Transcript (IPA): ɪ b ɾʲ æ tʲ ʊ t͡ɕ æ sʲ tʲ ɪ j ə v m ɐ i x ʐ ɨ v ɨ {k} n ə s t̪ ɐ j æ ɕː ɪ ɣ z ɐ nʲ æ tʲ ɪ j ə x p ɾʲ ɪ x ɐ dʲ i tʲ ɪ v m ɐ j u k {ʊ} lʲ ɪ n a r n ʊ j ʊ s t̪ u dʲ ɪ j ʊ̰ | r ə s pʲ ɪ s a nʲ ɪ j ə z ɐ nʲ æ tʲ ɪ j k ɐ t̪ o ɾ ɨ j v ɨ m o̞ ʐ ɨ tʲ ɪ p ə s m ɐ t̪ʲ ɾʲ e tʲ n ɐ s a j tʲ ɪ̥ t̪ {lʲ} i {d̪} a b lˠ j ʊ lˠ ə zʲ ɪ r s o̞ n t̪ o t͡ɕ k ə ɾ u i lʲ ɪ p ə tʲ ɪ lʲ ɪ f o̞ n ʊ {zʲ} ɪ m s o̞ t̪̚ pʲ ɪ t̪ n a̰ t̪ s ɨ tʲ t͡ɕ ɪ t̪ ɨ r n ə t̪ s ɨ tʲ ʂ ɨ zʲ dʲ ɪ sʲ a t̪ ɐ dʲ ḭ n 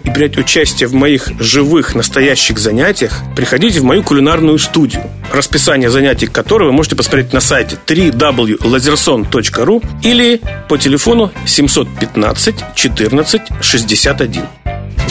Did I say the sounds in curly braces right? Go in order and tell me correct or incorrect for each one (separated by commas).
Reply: incorrect, correct, incorrect, correct, incorrect